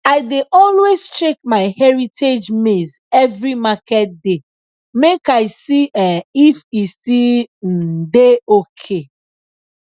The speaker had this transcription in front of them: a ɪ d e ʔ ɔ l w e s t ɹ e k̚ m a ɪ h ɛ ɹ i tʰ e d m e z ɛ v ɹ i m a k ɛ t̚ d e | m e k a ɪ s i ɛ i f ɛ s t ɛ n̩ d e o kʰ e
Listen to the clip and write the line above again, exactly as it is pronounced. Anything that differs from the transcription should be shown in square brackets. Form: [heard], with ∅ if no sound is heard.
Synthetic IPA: a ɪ d e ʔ ɔ l w e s t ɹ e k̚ m a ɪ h ɛ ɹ i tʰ e [d͡ʒ] m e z ɛ v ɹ i m a k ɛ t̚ d e | m e k a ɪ s i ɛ i f [i] s t [i] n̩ d e o kʰ e